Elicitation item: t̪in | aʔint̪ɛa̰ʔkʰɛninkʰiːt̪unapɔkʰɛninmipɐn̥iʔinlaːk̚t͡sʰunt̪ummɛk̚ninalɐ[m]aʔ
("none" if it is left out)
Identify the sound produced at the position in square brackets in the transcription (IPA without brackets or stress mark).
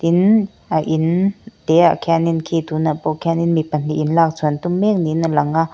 ŋ